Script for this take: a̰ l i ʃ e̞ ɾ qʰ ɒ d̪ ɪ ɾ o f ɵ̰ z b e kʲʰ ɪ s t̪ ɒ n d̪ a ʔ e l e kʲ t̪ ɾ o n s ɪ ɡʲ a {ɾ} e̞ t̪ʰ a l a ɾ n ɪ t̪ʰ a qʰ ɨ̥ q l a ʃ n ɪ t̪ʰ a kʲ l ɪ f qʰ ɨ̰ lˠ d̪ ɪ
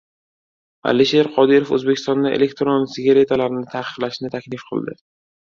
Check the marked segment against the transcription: correct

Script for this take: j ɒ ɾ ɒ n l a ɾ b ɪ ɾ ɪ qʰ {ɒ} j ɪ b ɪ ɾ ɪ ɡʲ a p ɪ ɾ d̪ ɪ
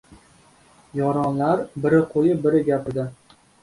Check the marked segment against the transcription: incorrect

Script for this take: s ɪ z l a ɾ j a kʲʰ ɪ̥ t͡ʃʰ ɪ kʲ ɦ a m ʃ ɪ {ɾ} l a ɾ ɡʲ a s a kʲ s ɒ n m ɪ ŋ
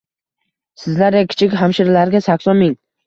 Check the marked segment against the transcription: correct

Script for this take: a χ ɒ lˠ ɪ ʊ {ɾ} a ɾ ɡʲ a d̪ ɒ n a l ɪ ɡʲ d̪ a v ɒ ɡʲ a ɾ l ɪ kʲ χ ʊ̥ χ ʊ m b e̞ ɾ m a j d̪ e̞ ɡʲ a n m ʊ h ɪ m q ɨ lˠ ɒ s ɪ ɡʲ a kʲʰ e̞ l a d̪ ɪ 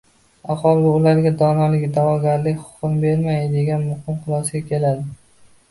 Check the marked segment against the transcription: incorrect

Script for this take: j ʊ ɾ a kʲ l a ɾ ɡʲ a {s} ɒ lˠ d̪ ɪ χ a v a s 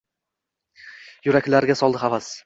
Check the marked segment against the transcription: correct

